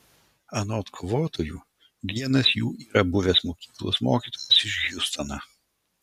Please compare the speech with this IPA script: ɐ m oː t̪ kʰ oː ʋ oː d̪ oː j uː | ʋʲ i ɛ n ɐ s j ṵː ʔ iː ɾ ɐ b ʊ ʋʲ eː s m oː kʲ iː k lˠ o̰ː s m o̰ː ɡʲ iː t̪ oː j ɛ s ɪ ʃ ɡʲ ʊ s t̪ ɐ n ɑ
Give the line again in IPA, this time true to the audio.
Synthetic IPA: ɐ n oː t̪ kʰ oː ʋ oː t̪ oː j uː | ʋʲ i ɛ n ɐ s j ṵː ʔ iː ɾ ɐ b ʊ ʋʲ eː s m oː kʲ iː k lˠ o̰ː s m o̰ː kʲ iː t̪ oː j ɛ s ɪ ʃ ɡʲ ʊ s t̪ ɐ n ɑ